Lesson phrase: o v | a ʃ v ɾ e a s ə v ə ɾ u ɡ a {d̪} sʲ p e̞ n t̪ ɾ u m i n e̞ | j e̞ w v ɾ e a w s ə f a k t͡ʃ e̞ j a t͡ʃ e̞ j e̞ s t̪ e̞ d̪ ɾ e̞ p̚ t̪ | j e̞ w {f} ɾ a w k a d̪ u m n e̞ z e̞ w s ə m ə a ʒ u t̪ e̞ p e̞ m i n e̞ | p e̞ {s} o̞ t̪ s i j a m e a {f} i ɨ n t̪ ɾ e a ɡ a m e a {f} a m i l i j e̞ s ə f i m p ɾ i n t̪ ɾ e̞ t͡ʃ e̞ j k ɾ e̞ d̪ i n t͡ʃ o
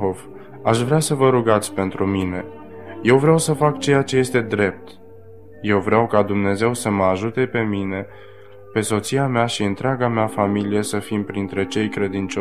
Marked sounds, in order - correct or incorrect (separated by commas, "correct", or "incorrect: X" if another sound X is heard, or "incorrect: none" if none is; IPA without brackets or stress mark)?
incorrect: t̪, incorrect: v, correct, incorrect: ʃ, correct